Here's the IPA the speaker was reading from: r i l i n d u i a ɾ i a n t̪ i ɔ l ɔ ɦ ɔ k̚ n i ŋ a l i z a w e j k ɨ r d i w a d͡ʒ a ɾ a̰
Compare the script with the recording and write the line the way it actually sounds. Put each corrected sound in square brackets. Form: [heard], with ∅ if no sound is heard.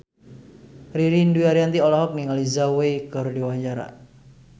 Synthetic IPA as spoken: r i [ɾ] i n d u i a ɾ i a n t̪ i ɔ l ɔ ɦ ɔ k̚ n i ŋ a l i z a w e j k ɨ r d i w a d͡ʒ a ɾ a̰